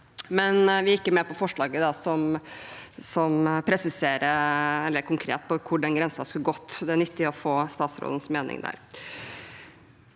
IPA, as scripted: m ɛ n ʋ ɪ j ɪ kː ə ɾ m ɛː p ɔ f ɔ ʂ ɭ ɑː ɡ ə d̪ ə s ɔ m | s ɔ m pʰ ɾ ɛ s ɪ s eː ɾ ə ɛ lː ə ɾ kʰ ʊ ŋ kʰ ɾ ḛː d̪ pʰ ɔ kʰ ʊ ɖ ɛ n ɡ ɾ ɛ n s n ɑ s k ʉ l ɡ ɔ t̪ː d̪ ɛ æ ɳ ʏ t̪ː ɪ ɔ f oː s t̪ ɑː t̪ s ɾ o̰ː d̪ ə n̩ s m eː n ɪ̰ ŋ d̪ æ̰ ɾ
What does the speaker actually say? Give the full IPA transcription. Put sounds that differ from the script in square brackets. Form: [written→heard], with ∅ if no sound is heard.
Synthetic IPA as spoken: m ɛ n ʋ ɪ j ɪ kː ə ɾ m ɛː p ɔ f ɔ ʂ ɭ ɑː ɡ ə d̪ [ə→ɑ] s ɔ m | s ɔ m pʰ ɾ ɛ s ɪ s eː ɾ ə ɛ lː ə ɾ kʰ ʊ ŋ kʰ ɾ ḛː [d̪→t̪] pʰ ɔ kʰ ʊ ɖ ɛ n ɡ ɾ ɛ n s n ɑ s k ʉ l ɡ ɔ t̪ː d̪ ɛ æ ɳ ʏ t̪ː ɪ ɔ f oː s t̪ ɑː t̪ s ɾ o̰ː d̪ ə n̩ s m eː n ɪ̰ ŋ d̪ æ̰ ɾ